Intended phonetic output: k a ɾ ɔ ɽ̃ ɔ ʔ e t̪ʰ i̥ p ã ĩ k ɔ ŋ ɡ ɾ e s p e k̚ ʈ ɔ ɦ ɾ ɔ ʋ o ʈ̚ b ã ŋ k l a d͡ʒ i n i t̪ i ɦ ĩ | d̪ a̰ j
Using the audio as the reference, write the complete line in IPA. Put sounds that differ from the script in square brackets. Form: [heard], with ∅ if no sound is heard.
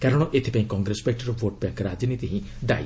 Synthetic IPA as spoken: k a ɾ ɔ ɽ̃ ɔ ʔ e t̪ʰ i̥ p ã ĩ k ɔ ŋ ɡ ɾ e s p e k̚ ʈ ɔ [∅] ɾ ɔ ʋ o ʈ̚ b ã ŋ k [ɾ] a d͡ʒ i n i t̪ i ɦ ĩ | d̪ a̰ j